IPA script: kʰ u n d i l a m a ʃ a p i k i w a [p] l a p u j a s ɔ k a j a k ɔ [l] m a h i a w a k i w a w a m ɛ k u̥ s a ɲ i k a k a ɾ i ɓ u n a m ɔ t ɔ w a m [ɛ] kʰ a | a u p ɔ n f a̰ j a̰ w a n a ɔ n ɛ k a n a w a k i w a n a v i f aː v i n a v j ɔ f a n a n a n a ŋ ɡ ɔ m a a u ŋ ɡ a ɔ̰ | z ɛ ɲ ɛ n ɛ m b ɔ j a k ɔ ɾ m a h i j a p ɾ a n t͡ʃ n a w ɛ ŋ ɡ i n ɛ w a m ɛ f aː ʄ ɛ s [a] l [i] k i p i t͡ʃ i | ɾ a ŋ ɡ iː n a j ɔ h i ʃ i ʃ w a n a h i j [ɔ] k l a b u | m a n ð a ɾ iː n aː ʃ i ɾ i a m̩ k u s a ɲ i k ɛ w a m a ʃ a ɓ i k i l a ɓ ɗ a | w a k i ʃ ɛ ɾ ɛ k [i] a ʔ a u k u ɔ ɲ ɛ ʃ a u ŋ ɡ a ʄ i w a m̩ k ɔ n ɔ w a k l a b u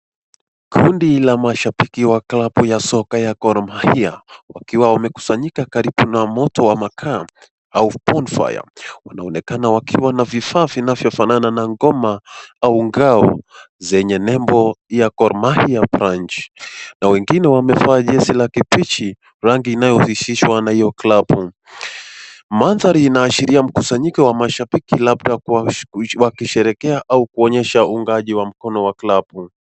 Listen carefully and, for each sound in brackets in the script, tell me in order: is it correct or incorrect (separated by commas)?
incorrect, incorrect, incorrect, incorrect, incorrect, correct, incorrect